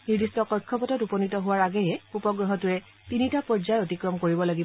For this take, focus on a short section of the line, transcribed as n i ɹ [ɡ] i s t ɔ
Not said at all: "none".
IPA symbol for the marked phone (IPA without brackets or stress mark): d